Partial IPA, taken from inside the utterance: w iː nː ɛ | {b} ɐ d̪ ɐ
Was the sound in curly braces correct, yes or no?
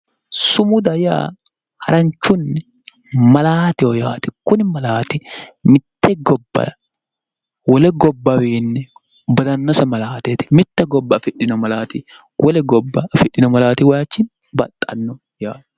yes